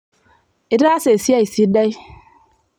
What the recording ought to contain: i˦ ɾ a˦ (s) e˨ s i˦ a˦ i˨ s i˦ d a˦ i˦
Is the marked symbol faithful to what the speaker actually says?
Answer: yes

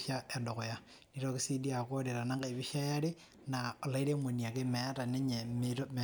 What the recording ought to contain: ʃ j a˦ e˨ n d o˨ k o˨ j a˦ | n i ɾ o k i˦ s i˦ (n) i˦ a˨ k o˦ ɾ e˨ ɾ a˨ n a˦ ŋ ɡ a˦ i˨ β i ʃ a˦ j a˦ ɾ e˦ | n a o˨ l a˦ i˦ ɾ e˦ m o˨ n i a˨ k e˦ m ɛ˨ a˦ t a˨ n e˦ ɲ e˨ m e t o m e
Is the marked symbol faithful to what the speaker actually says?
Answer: no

